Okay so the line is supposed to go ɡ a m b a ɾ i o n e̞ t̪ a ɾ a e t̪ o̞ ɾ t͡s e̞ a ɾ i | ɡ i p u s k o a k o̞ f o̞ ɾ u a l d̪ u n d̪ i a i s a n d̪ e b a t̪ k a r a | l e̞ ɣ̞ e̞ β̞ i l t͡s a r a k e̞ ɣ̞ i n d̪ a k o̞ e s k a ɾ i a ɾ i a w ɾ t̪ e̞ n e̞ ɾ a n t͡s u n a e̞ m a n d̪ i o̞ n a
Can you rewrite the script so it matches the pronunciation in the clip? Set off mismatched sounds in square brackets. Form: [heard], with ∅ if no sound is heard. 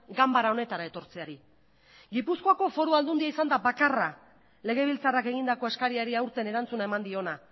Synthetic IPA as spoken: ɡ a m b a ɾ [a] o n e̞ t̪ a ɾ a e t̪ o̞ ɾ t͡s e̞ a ɾ i | ɡ i p u s k o a k o̞ f o̞ ɾ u a l d̪ u n d̪ i a i s a n d̪ [a] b a [∅] k a r a | l e̞ ɣ̞ e̞ β̞ i l t͡s a r a k e̞ ɣ̞ i n d̪ a k o̞ e s k a ɾ i a ɾ i a w ɾ t̪ e̞ n e̞ ɾ a n t͡s u n a e̞ m a n d̪ i o̞ n a